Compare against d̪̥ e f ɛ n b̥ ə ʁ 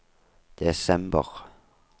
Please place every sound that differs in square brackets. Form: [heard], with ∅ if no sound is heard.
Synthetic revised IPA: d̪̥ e [s] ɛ [m] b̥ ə ʁ

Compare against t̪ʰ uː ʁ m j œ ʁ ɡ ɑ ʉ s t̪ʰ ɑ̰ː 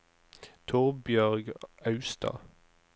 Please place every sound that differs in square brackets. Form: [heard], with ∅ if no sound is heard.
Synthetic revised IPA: t̪ʰ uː ʁ [b] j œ ʁ ɡ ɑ ʉ s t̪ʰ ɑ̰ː

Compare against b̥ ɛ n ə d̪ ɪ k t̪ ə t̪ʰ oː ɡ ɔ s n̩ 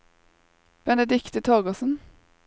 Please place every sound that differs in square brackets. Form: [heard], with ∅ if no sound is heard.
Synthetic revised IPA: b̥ ɛ n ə d̪ ɪ k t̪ ə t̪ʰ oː ɡ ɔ s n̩

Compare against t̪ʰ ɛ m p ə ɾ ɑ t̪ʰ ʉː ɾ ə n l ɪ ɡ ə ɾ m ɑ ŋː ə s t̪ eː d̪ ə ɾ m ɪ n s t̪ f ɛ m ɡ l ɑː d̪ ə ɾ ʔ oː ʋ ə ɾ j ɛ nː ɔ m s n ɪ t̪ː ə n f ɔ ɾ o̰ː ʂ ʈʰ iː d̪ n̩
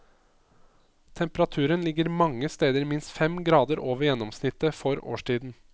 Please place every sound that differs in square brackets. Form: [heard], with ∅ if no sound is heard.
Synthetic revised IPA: t̪ʰ ɛ m p ə ɾ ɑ t̪ʰ ʉː ɾ ə n l ɪ ɡ ə ɾ m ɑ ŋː ə s t̪ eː d̪ ə ɾ m ɪ n s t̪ f ɛ m ɡ [ɾ] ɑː d̪ ə ɾ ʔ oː ʋ ə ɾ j ɛ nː ɔ m s n ɪ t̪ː ə [∅] f ɔ ɾ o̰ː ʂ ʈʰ iː d̪ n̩

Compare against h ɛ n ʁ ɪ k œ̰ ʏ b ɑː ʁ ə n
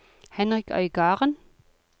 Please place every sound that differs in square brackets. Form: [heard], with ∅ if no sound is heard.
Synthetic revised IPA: h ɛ n ʁ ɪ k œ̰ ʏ [ɡ] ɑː ʁ ə n

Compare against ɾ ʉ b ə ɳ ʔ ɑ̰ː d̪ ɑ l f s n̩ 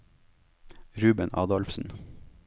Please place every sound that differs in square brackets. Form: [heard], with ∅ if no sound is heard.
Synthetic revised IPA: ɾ [ʉː] b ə [n] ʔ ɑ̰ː d̪ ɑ l f s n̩

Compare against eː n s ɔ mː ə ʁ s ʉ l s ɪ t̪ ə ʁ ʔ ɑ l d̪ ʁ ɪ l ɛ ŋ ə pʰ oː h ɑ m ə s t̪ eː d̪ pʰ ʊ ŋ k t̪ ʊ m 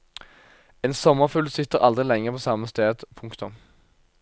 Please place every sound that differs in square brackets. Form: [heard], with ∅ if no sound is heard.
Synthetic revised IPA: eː n s ɔ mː ə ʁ [f] ʉ l s ɪ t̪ ə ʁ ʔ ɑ l d̪ ʁ ɪ l ɛ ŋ ə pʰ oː [s] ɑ m ə s t̪ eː d̪ pʰ ʊ ŋ k t̪ ʊ m

